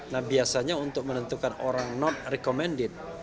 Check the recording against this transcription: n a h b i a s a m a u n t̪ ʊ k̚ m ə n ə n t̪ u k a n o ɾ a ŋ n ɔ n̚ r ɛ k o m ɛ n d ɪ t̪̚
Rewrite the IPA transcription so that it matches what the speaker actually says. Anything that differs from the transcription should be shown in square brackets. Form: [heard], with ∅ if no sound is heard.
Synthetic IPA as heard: n a h b i a s a [ɲ] a u n t̪ ʊ k̚ m ə n ə n t̪ u k a n o ɾ a ŋ n ɔ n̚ r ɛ k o m ɛ n d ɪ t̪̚

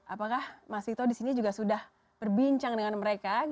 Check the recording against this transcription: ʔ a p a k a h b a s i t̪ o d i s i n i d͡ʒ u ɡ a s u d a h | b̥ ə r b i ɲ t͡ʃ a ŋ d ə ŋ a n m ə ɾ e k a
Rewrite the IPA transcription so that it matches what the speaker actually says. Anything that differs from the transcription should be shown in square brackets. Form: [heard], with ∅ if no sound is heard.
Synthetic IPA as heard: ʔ a p a k a h [m] a s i t̪ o d i s i n i d͡ʒ u ɡ a s u d a h | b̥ ə r b i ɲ t͡ʃ a ŋ d ə ŋ a n m ə ɾ e k a

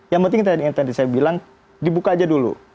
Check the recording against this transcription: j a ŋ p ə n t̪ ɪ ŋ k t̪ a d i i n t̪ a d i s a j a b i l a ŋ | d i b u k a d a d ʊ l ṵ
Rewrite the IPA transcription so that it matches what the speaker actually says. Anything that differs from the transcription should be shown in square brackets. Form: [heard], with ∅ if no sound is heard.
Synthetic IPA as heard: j a ŋ p ə n t̪ ɪ ŋ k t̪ a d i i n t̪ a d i s a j a b i l a ŋ | d i b u k a [d͡ʒ] a d [u] l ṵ

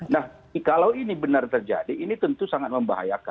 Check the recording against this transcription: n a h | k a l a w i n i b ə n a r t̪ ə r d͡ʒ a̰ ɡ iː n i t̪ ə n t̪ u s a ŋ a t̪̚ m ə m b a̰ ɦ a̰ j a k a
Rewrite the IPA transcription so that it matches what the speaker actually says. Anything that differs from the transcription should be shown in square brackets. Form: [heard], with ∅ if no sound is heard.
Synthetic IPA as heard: n a h | k a l a w i n i b ə n a r t̪ ə r d͡ʒ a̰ [d] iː n i t̪ ə n t̪ u s a ŋ a t̪̚ m ə m b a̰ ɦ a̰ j a k a

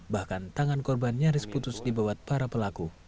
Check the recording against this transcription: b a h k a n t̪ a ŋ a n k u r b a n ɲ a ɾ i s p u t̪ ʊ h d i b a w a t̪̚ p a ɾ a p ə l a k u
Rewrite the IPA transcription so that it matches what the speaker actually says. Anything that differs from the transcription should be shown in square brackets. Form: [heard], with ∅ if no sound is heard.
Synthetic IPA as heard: b a h k a n t̪ a ŋ a n k [ɔ] r b a n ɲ a ɾ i s p u t̪ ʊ [s] d i b a w a t̪̚ p a ɾ a p ə l a k u

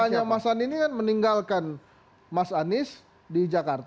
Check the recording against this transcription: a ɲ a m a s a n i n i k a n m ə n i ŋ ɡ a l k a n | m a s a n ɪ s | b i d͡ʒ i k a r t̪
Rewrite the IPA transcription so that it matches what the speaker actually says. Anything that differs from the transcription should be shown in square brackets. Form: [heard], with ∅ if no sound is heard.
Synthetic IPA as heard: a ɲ a m a s a n i n i k a n m ə n i ŋ ɡ a l k a n | m a s a n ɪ s | [d] i d͡ʒ [a] k a r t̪

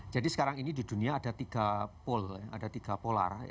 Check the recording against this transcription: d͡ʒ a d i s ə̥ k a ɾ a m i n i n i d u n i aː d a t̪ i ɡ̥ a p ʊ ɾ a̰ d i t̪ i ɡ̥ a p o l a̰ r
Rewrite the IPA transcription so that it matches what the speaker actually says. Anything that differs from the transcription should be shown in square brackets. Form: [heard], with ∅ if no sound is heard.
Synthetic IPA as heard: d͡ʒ a d i s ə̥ k a ɾ a [ŋ] i n i [d] i d u n i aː d a t̪ i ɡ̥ a p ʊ [l] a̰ d [a] t̪ i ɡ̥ a p o l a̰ r

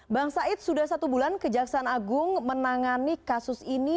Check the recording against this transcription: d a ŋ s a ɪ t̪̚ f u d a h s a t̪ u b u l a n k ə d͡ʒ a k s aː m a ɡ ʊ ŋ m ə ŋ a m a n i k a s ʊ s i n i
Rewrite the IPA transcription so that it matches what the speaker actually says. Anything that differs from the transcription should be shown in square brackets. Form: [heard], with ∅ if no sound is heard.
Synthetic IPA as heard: [b] a ŋ s a ɪ t̪̚ [s] u d a h s a t̪ u b u l a n k ə d͡ʒ a k s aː [n] a ɡ ʊ ŋ m ə [n] a [ŋ] a n i k a s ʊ s i n i

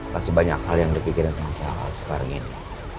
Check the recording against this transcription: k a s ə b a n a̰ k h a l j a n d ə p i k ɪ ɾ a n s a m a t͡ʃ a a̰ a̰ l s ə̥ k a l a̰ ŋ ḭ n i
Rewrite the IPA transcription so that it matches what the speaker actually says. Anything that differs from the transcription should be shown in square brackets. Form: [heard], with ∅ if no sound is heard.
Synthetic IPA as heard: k a s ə b a [ɲ] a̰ k h a l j a [ŋ] d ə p i k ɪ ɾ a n s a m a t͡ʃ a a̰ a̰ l s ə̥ k a [ɾ] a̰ ŋ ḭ n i

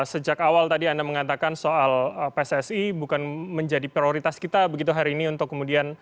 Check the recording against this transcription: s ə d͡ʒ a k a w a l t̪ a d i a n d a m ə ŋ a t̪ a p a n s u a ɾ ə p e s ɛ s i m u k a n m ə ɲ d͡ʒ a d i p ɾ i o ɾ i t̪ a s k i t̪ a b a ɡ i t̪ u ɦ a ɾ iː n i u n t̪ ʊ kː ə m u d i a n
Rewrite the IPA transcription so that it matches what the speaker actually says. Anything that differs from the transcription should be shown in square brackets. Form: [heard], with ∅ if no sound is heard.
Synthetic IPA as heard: s ə d͡ʒ a k a w a l t̪ a d i a n d a m ə ŋ a t̪ a [k] a n s [o] a [l] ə p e s ɛ s i [b] u k a n m ə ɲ d͡ʒ a d i p ɾ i o ɾ i t̪ a s k i t̪ a b [ə] ɡ i t̪ u ɦ a ɾ iː n i u n t̪ ʊ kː ə m u d i a n

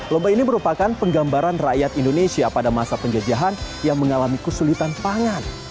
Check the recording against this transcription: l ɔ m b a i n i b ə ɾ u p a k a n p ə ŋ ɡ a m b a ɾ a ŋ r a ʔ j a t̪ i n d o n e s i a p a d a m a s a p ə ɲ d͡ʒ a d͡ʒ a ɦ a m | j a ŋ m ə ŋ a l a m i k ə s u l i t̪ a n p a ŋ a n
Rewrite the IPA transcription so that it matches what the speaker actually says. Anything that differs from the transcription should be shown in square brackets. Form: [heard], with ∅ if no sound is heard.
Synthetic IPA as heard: l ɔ m b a i n i [m] ə ɾ u p a k a n p ə ŋ ɡ a m b a ɾ a [n] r a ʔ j a t̪ i n d o n e s i a p a d a m a s a p ə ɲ d͡ʒ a d͡ʒ a ɦ a [n] | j a ŋ m ə ŋ a l a m i k ə s u l i t̪ a n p a ŋ a n

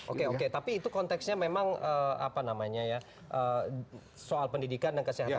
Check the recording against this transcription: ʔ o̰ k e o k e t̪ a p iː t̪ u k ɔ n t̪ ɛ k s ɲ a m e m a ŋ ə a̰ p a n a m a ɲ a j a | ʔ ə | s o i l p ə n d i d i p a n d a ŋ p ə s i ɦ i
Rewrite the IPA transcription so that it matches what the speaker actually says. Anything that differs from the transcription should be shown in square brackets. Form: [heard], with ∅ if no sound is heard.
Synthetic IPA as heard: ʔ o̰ k e o k e t̪ a p iː t̪ u k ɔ n t̪ ɛ k s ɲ a m e m a ŋ ə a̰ p a n a m a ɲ a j a | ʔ ə | s o [a] l p ə n d i d i [k] a n d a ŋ [k] ə s i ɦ [a]

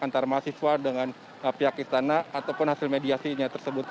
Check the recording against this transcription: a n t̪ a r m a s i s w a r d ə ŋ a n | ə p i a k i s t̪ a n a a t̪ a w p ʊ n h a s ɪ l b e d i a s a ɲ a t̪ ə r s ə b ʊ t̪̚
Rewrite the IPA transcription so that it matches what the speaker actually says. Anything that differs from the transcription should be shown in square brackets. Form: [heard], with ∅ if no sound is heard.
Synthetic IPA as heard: a n t̪ a r m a s i s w a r d ə ŋ a n | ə p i a k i s t̪ a n a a t̪ a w p ʊ n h a s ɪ l [m] e d i a s [i] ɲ a t̪ ə r s ə b ʊ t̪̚

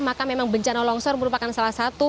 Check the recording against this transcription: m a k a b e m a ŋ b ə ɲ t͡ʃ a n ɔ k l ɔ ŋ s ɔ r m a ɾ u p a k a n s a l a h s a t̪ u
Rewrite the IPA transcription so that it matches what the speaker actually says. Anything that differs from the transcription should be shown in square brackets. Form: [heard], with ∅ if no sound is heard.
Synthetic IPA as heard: m a k a [m] e m a ŋ b ə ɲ t͡ʃ a n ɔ [∅] l ɔ ŋ s ɔ r m [ə] ɾ u p a k a n s a l a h s a t̪ u

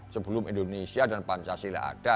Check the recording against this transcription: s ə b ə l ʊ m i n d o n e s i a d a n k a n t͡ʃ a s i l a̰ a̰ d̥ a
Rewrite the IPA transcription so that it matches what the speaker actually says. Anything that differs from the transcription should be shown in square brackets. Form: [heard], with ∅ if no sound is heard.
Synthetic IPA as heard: s ə b ə l ʊ m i n d o n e s i a d a n [p] a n t͡ʃ a s i l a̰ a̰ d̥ a

